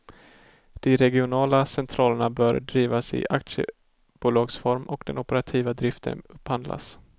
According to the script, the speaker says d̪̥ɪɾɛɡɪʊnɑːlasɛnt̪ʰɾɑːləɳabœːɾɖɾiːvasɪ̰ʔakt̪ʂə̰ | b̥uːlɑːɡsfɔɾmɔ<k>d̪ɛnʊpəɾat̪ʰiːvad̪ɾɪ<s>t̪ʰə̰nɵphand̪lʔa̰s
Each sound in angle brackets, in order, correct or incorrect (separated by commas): correct, incorrect